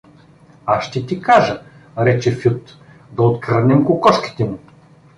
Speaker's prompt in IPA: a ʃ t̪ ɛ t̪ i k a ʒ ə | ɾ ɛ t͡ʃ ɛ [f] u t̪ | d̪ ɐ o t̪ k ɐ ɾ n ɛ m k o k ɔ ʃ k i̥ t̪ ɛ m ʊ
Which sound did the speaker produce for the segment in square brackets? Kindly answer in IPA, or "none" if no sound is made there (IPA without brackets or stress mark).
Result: f